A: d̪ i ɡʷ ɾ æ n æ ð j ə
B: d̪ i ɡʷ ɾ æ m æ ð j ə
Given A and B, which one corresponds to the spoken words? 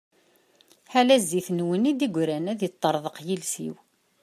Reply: A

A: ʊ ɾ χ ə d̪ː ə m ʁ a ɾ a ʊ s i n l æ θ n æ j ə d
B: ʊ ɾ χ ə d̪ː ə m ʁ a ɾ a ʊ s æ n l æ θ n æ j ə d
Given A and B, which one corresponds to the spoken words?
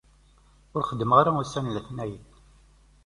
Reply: B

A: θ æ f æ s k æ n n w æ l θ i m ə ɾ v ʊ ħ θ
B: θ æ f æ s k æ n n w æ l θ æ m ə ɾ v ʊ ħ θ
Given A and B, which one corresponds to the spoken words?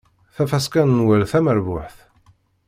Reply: B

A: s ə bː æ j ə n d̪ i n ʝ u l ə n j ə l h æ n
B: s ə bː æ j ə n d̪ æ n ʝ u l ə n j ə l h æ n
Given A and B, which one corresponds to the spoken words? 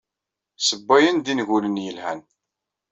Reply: A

